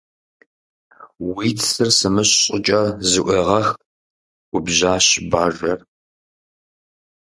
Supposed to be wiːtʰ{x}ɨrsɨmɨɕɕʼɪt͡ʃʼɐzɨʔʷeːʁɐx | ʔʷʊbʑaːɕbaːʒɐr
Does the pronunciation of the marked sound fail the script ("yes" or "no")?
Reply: yes